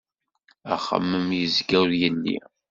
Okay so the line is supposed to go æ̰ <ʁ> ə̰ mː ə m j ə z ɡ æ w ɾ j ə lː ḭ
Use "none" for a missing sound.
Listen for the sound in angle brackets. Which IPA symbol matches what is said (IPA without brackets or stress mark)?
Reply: χ